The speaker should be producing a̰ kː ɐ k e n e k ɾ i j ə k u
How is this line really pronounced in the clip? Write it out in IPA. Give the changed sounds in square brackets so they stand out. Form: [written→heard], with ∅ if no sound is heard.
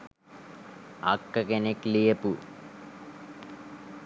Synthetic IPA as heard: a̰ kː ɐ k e n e k [ɾ→l] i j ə [k→p] u